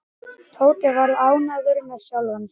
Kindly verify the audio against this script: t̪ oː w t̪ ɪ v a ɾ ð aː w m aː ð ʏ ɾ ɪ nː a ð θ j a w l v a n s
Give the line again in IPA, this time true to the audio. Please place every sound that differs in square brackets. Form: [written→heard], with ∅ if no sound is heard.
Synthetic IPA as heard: [t̪→t̪ʰ] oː w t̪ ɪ v a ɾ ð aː w [m→n] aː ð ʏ ɾ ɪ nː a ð [θ→s] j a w l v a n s